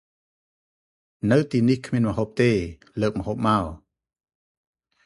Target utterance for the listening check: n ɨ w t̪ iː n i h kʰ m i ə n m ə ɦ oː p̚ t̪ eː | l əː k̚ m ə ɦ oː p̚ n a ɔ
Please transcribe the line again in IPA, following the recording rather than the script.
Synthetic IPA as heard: n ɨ w t̪ iː n i h kʰ m i ə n m ə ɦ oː p̚ t̪ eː | l əː k̚ m ə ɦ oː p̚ m a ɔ